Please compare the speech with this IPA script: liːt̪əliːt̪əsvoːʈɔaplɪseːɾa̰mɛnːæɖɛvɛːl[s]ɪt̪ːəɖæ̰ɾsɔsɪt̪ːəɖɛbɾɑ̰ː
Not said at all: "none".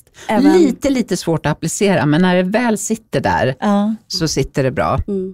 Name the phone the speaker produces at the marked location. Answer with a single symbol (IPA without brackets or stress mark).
s